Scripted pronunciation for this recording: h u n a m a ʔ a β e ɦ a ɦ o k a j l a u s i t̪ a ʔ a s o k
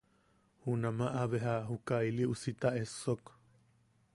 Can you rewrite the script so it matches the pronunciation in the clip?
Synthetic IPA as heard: h u n a m a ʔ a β e ɦ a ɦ u k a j l i u s i t̪ a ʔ e s o k